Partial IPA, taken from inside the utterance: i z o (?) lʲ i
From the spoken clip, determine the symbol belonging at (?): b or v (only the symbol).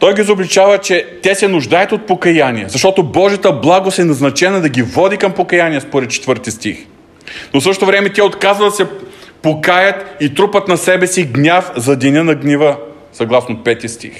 b